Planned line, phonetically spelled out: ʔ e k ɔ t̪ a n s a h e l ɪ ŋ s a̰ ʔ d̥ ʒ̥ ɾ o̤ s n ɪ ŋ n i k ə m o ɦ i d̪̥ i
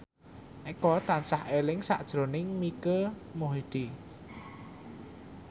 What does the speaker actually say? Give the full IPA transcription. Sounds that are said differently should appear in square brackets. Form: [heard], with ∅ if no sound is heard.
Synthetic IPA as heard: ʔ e k ɔ t̪ a n s a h e l ɪ ŋ s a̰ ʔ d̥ ʒ̥ ɾ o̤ [∅] n ɪ ŋ [m] i k ə m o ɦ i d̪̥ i